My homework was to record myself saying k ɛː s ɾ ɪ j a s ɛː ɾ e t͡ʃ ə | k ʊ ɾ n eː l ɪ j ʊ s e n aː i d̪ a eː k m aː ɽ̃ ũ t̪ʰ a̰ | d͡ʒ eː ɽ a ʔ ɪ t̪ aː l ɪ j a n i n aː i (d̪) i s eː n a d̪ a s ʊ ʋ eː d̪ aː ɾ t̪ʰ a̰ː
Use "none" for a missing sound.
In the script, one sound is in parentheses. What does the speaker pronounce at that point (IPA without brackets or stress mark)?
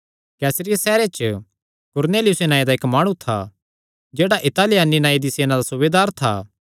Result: d̪